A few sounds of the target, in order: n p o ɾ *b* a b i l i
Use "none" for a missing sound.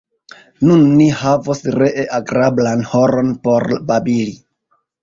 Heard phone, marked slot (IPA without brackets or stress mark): b